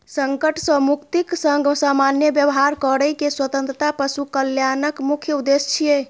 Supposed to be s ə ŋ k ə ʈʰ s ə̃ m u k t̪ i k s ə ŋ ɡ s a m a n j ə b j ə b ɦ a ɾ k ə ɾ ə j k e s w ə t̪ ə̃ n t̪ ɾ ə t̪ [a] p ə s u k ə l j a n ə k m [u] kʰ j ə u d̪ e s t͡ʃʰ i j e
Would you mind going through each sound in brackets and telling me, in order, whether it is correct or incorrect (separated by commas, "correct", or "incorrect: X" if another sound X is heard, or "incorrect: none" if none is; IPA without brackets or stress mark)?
correct, correct